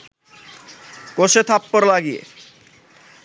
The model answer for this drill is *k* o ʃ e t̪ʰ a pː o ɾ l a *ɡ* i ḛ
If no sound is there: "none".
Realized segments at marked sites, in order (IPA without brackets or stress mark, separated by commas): k, ɡ